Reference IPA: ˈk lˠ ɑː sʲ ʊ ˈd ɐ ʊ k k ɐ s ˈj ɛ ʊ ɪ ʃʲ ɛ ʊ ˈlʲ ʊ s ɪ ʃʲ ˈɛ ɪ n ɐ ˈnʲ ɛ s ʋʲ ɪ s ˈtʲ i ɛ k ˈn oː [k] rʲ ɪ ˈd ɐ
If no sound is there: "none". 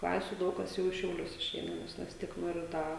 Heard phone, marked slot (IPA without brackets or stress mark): none